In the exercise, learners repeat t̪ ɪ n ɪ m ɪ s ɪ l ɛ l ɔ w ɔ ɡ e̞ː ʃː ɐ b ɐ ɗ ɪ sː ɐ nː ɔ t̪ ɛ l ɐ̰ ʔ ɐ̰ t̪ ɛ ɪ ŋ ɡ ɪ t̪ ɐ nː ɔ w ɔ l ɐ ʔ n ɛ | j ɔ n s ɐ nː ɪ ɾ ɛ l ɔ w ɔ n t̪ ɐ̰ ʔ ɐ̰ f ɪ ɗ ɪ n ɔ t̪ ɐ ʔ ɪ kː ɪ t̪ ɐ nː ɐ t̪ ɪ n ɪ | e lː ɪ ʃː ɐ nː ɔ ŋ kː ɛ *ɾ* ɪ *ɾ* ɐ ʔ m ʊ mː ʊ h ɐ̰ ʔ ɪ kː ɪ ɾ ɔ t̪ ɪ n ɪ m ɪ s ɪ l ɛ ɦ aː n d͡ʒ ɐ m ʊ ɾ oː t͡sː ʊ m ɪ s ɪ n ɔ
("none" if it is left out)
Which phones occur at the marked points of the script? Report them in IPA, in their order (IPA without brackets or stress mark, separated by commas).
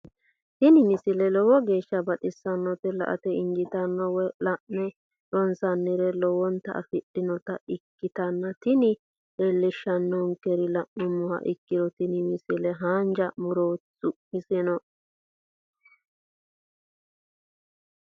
ɾ, l